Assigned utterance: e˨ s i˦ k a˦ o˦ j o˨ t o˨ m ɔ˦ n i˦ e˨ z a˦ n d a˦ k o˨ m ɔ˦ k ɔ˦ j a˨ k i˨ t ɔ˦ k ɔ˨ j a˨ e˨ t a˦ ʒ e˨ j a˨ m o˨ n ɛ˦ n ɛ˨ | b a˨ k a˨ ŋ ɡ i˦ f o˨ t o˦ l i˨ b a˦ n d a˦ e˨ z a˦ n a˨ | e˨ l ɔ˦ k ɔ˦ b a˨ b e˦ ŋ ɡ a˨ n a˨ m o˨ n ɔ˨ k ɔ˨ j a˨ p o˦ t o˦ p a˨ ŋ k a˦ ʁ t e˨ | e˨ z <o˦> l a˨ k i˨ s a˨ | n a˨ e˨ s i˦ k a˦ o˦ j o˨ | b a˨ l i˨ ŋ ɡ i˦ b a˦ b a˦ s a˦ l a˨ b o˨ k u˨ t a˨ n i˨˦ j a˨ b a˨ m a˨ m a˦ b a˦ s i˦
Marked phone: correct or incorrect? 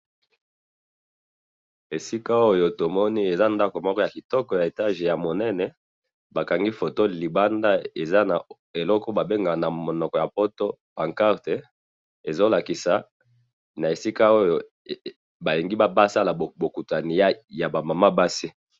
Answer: correct